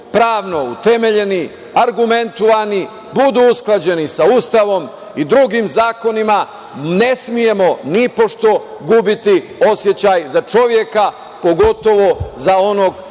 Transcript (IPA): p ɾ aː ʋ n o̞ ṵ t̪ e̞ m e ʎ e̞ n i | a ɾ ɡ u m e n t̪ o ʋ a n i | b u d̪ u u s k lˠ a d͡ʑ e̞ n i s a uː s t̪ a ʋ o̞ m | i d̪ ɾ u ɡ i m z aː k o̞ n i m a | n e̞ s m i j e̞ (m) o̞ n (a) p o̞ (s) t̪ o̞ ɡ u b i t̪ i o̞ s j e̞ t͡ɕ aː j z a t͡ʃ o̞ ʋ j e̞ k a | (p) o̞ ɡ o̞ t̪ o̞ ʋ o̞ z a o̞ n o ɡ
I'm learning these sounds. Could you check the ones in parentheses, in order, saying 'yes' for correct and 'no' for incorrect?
yes, no, no, yes

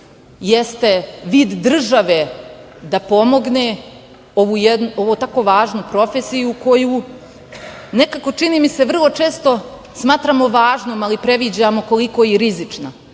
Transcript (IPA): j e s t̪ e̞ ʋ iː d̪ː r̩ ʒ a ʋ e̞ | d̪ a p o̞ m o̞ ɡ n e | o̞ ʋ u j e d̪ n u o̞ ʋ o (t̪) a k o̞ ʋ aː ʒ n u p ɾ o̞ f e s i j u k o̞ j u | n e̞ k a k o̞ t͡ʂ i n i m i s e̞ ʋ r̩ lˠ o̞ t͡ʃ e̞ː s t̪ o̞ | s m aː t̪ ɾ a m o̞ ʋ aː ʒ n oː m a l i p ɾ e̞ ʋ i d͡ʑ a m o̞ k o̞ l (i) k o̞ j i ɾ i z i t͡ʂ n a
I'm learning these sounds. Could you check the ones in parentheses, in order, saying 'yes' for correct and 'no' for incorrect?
yes, yes

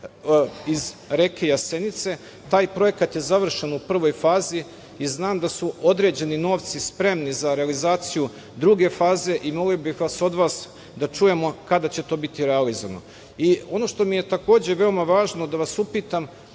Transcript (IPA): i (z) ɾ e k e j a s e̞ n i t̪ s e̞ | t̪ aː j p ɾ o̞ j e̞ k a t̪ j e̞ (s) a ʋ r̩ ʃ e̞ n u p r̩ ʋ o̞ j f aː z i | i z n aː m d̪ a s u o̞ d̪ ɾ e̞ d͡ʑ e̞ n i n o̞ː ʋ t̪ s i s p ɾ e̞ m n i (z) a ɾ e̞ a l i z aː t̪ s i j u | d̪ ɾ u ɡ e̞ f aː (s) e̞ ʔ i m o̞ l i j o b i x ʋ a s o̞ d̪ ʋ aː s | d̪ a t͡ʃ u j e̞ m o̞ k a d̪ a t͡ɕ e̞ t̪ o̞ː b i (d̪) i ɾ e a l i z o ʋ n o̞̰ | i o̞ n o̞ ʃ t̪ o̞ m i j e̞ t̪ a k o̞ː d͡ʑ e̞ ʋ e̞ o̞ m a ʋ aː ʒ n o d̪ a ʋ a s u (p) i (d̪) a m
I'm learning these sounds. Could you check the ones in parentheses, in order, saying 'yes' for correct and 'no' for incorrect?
yes, no, yes, no, no, yes, no

